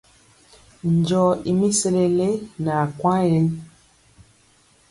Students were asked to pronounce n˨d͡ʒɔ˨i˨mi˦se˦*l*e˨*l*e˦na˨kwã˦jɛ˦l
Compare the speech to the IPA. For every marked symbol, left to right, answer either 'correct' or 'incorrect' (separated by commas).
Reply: correct, correct